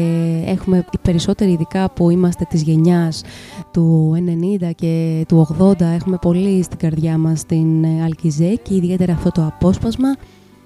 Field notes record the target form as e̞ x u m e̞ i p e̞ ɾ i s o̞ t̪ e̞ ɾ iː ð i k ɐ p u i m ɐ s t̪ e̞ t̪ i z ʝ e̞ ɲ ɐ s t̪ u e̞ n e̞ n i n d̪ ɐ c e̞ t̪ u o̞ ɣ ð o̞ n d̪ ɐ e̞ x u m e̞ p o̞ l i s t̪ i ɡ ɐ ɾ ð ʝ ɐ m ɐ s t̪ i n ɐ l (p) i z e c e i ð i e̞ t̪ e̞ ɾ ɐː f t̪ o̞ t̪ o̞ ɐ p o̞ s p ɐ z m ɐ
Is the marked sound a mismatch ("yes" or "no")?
yes